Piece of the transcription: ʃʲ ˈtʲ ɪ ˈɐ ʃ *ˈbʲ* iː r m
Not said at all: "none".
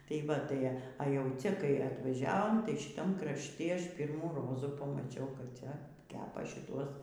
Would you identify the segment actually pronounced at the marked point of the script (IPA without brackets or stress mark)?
pʲ